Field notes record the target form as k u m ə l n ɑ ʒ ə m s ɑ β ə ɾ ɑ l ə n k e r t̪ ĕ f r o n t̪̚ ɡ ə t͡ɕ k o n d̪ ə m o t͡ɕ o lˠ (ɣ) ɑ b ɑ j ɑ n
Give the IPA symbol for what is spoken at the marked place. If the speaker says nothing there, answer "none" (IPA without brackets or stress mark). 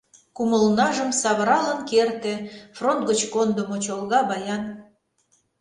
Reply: ɣ